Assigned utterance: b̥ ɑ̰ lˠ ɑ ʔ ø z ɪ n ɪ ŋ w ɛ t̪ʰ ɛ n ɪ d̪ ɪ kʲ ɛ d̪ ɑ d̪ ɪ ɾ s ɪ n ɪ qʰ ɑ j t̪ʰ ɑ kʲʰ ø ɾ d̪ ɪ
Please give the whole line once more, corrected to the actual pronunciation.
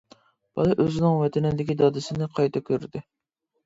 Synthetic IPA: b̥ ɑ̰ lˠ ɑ ʔ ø z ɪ n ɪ ŋ w ɛ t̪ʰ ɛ n ɪ d̪ ɪ kʲ i d̪ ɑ d̪ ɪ s ɪ n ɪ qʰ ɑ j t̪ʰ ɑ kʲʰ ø ɾ d̪ ɪ